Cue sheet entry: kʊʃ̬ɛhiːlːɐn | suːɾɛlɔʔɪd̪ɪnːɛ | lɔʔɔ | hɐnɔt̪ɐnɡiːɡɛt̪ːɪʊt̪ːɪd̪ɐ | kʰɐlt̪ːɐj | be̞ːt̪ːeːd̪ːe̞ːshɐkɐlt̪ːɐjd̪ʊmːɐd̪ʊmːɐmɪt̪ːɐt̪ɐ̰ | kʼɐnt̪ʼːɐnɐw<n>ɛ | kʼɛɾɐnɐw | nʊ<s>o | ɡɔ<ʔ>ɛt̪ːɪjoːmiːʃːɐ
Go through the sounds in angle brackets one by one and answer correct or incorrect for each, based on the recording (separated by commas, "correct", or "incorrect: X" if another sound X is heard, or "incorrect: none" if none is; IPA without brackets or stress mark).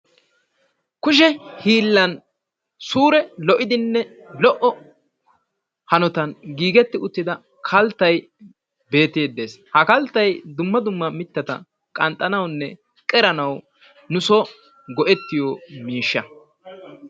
incorrect: nː, correct, correct